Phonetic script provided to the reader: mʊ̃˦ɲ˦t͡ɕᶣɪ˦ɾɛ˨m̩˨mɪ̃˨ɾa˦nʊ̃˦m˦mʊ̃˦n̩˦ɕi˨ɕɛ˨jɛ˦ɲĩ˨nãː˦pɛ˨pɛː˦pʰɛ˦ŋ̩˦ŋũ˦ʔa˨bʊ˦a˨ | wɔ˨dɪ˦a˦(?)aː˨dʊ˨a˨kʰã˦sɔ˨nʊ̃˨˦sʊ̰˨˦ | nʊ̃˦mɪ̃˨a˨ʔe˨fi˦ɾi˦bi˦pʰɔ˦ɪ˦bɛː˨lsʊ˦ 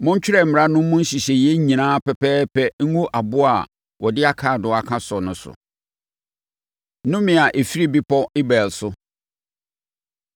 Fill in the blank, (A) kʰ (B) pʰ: A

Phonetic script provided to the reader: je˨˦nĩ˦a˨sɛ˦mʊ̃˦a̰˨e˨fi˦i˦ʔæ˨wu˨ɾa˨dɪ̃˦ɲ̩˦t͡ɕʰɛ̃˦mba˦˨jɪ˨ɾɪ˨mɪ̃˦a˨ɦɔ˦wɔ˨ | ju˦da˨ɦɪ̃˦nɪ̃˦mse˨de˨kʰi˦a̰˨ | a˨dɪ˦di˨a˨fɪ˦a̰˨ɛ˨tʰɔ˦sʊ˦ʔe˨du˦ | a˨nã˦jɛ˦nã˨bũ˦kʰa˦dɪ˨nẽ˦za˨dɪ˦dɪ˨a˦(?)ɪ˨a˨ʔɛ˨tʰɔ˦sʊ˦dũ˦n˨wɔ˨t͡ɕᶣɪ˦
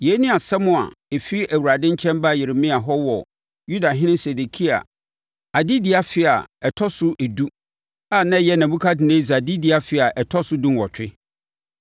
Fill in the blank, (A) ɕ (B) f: B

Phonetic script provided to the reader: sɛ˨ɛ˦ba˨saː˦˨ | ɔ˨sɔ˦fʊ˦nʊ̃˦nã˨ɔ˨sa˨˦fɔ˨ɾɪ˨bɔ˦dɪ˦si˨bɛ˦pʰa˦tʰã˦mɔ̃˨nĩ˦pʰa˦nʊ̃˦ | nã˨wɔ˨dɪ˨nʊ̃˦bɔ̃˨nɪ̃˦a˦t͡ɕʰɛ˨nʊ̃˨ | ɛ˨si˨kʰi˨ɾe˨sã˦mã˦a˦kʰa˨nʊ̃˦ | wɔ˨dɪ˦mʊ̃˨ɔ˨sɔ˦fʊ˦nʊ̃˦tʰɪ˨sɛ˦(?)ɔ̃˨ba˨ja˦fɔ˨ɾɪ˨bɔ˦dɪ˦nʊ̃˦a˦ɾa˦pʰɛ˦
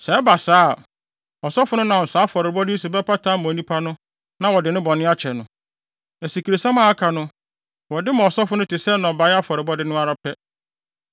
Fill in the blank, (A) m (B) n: B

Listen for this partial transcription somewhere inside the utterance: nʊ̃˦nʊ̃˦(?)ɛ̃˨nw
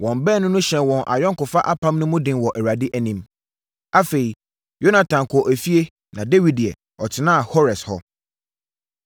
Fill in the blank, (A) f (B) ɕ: B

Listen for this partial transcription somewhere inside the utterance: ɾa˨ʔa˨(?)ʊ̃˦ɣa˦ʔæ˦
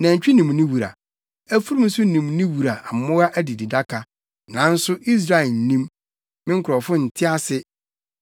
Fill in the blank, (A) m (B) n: A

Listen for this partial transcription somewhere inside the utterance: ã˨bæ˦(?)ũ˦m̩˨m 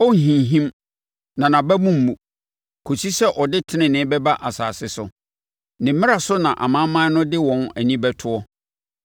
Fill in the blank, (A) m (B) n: A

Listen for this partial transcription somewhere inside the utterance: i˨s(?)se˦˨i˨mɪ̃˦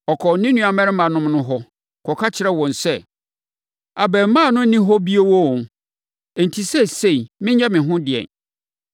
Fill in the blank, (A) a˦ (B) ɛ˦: B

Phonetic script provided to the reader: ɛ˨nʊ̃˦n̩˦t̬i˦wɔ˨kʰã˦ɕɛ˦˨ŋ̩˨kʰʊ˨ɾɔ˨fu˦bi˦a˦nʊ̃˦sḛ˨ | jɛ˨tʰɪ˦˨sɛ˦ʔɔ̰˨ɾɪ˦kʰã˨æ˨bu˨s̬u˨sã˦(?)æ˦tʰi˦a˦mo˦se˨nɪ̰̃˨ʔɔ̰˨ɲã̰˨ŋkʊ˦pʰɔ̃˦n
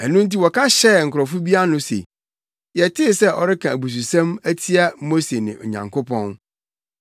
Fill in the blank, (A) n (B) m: B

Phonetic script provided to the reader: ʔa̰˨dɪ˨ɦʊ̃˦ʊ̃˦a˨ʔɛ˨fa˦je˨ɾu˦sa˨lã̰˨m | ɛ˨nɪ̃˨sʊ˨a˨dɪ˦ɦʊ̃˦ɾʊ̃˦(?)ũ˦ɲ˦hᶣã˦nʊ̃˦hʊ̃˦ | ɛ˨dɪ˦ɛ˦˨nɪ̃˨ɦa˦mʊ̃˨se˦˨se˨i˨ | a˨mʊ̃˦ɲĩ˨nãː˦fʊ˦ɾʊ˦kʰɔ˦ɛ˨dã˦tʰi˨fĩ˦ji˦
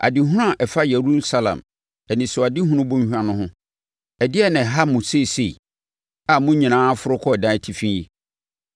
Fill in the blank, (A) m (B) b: B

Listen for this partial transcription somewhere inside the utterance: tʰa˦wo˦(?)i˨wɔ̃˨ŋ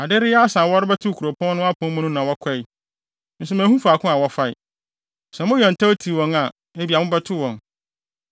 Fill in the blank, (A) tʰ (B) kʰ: A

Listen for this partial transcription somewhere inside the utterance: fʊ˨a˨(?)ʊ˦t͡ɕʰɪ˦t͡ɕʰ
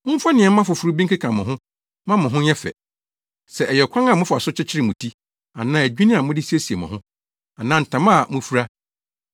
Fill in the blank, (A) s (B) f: A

